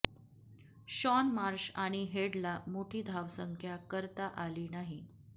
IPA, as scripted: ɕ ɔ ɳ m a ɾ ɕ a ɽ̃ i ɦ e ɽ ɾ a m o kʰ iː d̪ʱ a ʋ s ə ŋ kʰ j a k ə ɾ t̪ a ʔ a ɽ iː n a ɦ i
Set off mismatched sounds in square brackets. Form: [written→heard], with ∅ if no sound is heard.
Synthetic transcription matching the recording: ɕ ɔ [ɳ→n] m a ɾ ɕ a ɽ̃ i ɦ e ɽ [ɾ→l] a m o [kʰ→ʈʰ] iː d̪ʱ a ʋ s ə ŋ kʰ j a k ə ɾ t̪ a ʔ a [ɽ→l] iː n a ɦ i

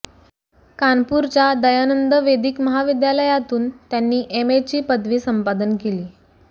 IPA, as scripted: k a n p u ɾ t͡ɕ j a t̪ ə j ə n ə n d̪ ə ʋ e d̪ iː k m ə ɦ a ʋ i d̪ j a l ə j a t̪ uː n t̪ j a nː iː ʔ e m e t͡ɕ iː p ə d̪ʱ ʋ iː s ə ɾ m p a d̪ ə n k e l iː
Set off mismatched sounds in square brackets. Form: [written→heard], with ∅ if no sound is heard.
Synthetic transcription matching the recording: k a n p u ɾ t͡ɕ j a [t̪→d̪] ə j [ə→a] n ə n d̪ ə ʋ e d̪ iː k m ə ɦ a ʋ i d̪ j a l ə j a t̪ uː n t̪ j a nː iː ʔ e m e t͡ɕ iː p ə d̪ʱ ʋ iː s ə [ɾ→∅] m p a d̪ ə n k e l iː

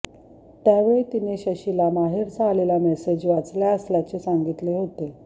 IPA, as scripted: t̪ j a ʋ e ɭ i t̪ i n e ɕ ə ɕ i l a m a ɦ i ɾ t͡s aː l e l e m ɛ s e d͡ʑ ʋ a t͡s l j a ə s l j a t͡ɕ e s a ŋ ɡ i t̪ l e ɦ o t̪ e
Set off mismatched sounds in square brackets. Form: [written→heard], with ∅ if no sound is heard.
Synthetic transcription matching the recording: t̪ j a ʋ e ɭ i t̪ i n e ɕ ə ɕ i l a m a ɦ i ɾ t͡s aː l e l [e→a] m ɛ s e d͡ʑ ʋ a t͡s l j a ə s l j a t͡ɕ e s a ŋ ɡ i t̪ l e ɦ o t̪ e

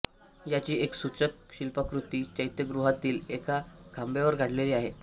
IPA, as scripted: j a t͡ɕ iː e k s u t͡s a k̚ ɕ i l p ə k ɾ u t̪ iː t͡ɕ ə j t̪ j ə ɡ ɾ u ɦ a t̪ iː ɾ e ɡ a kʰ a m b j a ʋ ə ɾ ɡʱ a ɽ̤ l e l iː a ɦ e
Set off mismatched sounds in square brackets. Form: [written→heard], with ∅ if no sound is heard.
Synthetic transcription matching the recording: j a t͡ɕ iː e k s u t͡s [a→ə] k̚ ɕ i l p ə k ɾ u t̪ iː t͡ɕ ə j t̪ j ə ɡ ɾ u ɦ a t̪ iː [ɾ→l] e [ɡ→k] a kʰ a m b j a ʋ ə ɾ ɡʱ a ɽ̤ l e l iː a ɦ e

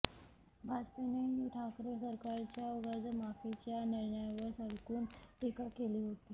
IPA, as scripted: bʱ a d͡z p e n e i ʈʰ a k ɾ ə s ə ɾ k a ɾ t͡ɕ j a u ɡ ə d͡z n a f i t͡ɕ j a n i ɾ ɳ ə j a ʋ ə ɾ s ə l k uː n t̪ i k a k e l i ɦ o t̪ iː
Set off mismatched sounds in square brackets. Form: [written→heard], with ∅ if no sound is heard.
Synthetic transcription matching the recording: bʱ a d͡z p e n e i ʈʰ a k ɾ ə s ə ɾ k a ɾ t͡ɕ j a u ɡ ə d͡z [n→m] a f i t͡ɕ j a n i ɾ ɳ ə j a ʋ ə ɾ s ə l k uː n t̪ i k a k e l i ɦ o t̪ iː

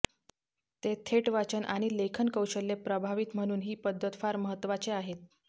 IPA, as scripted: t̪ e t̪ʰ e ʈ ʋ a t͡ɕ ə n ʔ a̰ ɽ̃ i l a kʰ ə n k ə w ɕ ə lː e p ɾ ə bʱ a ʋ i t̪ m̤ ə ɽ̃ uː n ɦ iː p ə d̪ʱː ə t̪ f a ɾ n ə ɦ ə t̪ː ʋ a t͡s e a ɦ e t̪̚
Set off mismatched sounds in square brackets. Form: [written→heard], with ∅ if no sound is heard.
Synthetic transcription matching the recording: t̪ e t̪ʰ e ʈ ʋ a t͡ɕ ə n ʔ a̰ ɽ̃ i l [a→e] kʰ ə n k ə w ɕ ə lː e p ɾ ə bʱ a ʋ i t̪ m̤ ə ɽ̃ uː n ɦ iː p ə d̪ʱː ə t̪ f a ɾ [n→m] ə ɦ ə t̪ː ʋ a t͡s e a ɦ e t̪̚

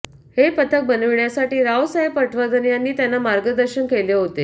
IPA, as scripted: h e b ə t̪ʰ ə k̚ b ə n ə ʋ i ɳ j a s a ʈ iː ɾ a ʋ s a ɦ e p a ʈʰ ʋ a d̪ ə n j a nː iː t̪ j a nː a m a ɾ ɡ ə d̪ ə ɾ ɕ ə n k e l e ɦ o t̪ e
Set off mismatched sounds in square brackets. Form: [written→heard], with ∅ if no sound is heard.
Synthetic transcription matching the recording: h e [b→p] ə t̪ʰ ə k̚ b ə n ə ʋ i ɳ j a s a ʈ iː ɾ a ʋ s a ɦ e p [a→ə] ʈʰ ʋ a d̪ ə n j a nː iː t̪ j a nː a m a ɾ ɡ ə d̪ ə ɾ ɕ ə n k e l e ɦ o t̪ e

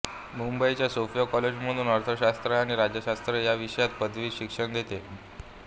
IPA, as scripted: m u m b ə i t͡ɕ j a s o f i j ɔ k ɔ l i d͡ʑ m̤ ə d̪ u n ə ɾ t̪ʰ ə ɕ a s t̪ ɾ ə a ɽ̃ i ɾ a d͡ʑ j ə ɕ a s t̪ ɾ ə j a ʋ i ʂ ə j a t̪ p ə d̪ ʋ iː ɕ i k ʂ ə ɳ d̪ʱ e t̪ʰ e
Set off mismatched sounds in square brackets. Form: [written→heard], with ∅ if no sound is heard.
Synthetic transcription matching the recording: m u m b ə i t͡ɕ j a s o f i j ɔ k ɔ l [i→e] d͡ʑ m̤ ə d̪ [u→uː] n ə ɾ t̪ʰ ə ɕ a s t̪ ɾ ə a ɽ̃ i ɾ a d͡ʑ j ə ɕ a s t̪ ɾ ə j a ʋ i ʂ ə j a t̪ p ə d̪ ʋ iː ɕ i k ʂ ə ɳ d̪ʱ e [t̪ʰ→t̪] e

